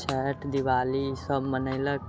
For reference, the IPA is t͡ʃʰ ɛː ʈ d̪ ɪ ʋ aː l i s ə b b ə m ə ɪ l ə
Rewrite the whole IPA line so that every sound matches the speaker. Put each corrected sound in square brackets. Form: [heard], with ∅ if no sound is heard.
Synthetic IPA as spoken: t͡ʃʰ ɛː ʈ d̪ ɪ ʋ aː l i s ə b [m] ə [n] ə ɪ l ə